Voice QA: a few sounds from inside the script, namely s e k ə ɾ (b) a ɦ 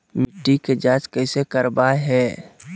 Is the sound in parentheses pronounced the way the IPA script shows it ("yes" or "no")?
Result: yes